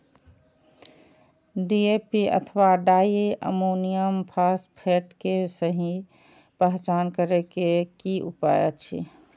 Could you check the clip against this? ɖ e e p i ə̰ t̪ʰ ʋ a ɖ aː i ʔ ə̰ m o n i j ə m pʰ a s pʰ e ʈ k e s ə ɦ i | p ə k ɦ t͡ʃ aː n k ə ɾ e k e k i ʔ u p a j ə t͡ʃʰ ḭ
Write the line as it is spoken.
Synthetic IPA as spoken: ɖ i e p i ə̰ t̪ʰ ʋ a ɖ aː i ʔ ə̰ m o n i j ə m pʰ a s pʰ e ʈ k e s ə ɦ i | p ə ɦ t͡ʃ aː n k ə ɾ e k e k i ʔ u p a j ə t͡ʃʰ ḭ